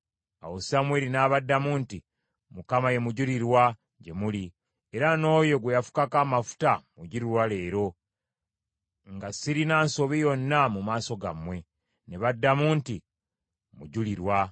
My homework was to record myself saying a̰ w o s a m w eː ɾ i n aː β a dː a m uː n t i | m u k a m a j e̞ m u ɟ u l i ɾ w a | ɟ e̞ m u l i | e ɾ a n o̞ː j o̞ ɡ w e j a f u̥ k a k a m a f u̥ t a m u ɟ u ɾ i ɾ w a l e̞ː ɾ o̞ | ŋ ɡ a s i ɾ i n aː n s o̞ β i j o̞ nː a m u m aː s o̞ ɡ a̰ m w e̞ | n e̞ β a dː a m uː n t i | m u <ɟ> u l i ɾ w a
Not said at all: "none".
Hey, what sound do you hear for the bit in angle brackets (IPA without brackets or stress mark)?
ɟ